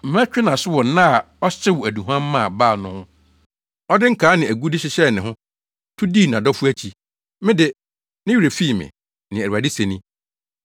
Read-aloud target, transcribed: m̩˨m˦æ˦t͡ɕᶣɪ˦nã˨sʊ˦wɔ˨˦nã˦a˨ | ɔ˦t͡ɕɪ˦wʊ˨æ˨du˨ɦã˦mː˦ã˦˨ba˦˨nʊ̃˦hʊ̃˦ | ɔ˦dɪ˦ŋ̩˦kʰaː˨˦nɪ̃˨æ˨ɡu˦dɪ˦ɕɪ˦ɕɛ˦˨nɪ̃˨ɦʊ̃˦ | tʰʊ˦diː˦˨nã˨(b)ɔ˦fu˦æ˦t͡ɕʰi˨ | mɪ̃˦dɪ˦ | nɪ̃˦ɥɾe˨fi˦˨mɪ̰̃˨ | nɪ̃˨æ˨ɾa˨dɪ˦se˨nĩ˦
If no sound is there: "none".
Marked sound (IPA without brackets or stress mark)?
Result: d